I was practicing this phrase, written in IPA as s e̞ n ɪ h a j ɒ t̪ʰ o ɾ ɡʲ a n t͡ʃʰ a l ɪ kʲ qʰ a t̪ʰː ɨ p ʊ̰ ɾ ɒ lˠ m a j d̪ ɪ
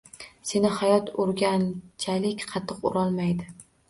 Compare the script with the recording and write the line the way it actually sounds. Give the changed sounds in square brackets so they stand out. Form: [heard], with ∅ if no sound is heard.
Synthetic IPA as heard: s e̞ n ɪ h a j ɒ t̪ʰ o ɾ ɡʲ a n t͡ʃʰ a l ɪ kʲ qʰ [ɑ] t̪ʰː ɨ [q] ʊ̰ ɾ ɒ lˠ m a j d̪ ɪ